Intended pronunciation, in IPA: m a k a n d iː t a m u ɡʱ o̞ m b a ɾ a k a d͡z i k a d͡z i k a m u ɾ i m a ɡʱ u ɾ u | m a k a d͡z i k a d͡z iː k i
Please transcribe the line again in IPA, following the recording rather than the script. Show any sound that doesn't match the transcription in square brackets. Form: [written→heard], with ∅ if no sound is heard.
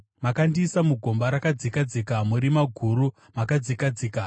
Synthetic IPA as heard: m a k a n d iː [t→s] a m u ɡʱ o̞ m b a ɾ a k a d͡z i k a d͡z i k a m u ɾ i m a ɡʱ u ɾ u | m a k a d͡z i k a d͡z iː k [i→a]

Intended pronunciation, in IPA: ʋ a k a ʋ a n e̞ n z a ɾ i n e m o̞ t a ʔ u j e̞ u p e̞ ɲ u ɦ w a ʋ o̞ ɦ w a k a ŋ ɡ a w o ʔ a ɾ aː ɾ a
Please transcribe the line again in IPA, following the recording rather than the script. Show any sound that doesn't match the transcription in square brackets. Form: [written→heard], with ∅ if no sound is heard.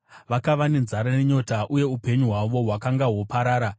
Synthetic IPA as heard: ʋ a k a ʋ a n e̞ n z a ɾ [i→a] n e [m→ɲ] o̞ t a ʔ u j e̞ u p e̞ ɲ u ɦ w a ʋ o̞ ɦ w a k a ŋ ɡ a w o [ʔ→p] a ɾ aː ɾ a

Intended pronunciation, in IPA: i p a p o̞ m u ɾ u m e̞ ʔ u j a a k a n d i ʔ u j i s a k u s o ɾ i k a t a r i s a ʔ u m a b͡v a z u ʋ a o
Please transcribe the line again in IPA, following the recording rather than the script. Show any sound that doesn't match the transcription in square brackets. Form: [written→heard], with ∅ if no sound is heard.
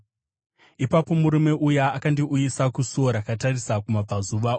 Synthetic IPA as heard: i p a p o̞ m u ɾ u m e̞ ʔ u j a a k a n d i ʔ u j i s a k u s o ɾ [i→a] k a t a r i s a [ʔ→k] u m a b͡v a z u ʋ a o

